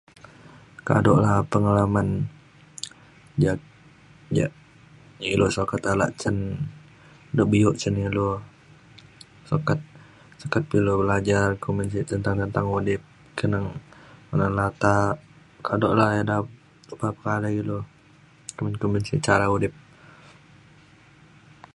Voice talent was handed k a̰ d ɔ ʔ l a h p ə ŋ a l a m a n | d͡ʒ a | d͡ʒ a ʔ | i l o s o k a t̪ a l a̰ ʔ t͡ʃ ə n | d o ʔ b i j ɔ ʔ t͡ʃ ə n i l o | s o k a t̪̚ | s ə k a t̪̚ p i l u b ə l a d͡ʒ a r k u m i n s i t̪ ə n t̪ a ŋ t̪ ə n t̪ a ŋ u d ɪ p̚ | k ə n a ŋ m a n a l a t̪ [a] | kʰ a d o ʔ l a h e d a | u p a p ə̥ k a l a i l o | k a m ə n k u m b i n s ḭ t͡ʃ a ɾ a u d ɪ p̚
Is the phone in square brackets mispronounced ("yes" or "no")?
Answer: no